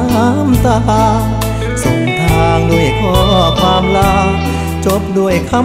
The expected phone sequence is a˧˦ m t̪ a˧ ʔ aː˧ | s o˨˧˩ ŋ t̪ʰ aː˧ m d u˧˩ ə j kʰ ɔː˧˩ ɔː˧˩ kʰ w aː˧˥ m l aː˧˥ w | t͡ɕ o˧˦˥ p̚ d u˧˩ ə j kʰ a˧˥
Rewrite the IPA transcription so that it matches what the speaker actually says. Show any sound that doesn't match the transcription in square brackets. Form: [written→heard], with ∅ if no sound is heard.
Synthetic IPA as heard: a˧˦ m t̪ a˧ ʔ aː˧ | s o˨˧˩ ŋ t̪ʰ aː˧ [m→ŋ] d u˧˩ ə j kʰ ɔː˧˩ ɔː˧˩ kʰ w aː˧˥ m l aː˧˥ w | t͡ɕ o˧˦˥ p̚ d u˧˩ ə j kʰ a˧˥